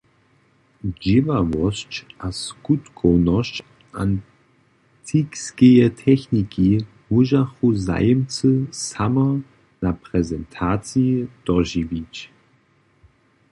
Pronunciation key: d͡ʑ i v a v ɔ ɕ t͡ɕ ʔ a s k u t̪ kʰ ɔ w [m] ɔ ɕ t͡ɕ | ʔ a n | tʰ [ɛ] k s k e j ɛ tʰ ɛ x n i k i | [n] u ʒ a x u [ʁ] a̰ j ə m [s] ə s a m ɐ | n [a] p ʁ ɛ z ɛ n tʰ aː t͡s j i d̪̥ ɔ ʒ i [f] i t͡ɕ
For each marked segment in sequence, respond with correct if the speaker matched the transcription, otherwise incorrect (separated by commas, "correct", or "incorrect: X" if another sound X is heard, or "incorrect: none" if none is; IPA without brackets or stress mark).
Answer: incorrect: n, incorrect: i, incorrect: m, incorrect: z, incorrect: t͡s, correct, incorrect: v